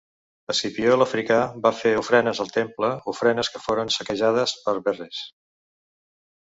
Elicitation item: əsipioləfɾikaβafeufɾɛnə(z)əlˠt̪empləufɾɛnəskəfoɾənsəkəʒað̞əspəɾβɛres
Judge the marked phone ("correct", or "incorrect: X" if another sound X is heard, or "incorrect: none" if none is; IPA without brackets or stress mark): correct